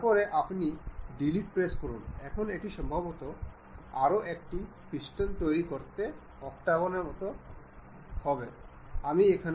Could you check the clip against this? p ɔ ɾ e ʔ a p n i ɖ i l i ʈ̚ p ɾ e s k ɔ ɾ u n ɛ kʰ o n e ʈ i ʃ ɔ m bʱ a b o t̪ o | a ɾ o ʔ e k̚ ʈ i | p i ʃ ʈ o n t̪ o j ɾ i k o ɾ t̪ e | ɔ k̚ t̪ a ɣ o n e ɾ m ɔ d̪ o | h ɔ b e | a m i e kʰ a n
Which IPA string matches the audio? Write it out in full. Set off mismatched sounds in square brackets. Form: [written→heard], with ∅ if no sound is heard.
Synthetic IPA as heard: p ɔ ɾ e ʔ a p n i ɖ i l i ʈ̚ p ɾ e s k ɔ ɾ u n ɛ kʰ o n e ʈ i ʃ ɔ m bʱ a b o t̪ o | a ɾ o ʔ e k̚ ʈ i | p i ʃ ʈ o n t̪ o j ɾ i k o ɾ t̪ e | ɔ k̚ t̪ a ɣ o n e ɾ m ɔ [d̪→t̪] o | h ɔ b e | a m i e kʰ a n